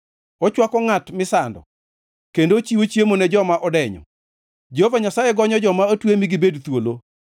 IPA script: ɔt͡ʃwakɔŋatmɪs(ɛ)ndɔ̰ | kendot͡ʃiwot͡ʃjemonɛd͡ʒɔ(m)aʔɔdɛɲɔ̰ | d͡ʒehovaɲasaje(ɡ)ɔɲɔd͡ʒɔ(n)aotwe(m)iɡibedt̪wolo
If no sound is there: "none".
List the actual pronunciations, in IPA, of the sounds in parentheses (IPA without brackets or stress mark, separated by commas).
a, m, ɡ, m, m